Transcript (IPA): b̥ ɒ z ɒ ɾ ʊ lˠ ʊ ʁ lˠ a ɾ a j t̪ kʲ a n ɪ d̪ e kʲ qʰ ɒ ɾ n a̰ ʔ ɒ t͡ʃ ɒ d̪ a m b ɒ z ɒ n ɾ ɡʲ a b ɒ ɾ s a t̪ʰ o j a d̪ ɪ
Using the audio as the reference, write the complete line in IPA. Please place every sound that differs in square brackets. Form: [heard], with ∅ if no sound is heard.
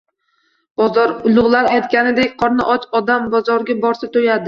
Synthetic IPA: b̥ ɒ z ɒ ɾ ʊ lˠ ʊ ʁ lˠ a ɾ a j t̪ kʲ a n ɪ d̪ e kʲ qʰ ɒ ɾ n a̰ ʔ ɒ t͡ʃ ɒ d̪ a m b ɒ z ɒ [∅] ɾ ɡʲ a b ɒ ɾ s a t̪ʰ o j a d̪ ɪ